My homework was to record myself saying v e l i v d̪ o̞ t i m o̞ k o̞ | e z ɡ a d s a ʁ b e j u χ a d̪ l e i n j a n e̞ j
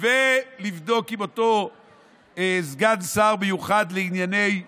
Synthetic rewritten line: v e l i v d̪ o̞ k i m o̞ t o̞ | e z ɡ a d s a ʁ b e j u χ a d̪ l e i n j a n e̞ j